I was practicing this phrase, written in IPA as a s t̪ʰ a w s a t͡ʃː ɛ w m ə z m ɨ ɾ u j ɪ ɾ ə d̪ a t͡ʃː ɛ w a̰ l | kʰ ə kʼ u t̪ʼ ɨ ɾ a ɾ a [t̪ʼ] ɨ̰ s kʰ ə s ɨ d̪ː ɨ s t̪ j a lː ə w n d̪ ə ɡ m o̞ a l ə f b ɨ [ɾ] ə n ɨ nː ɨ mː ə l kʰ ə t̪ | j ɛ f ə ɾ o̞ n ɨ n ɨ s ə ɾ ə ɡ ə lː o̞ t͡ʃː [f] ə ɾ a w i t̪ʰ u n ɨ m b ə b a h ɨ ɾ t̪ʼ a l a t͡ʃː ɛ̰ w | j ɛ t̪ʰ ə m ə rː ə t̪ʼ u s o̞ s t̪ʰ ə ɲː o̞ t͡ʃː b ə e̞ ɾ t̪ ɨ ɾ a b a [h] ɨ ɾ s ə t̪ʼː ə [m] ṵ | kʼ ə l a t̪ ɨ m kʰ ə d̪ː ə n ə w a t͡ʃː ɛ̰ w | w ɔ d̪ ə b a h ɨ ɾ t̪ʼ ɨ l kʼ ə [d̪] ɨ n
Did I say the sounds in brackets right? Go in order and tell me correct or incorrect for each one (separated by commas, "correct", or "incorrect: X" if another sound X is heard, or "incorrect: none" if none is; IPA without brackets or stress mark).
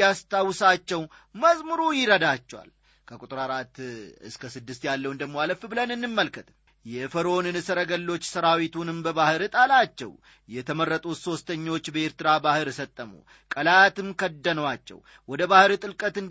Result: incorrect: t̪, incorrect: l, incorrect: s, correct, correct, incorrect: t̪